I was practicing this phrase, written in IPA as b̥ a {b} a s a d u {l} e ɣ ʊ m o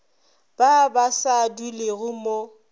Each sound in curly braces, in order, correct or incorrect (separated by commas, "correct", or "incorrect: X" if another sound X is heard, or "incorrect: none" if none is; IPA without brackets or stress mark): correct, correct